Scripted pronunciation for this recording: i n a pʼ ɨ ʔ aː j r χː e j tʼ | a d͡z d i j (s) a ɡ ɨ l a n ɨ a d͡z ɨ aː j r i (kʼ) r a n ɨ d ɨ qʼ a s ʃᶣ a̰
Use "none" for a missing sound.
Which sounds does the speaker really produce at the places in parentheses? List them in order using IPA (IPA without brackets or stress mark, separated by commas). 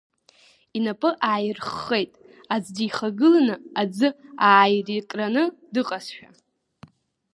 χ, kʼ